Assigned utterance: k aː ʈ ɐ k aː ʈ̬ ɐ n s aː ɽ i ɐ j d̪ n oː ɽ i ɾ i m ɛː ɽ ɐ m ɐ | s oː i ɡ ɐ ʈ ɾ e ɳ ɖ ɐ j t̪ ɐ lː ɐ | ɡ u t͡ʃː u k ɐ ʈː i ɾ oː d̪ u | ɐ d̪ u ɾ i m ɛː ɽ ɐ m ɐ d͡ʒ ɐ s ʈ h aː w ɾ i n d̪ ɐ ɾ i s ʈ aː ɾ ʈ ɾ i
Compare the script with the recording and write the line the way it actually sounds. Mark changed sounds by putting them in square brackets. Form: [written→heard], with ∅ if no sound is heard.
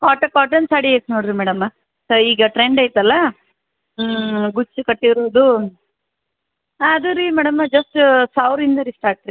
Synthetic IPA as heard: k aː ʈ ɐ k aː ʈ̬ ɐ n s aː ɽ i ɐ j [d̪→t̪] n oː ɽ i ɾ i m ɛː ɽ ɐ m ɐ | s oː [i→iː] ɡ ɐ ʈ ɾ e ɳ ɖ ɐ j t̪ ɐ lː ɐ | ɡ u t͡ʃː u k ɐ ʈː i ɾ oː d̪ u | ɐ d̪ u ɾ i m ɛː ɽ ɐ m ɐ d͡ʒ ɐ s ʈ [h→s] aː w ɾ i n d̪ ɐ ɾ i s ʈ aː ɾ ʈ ɾ i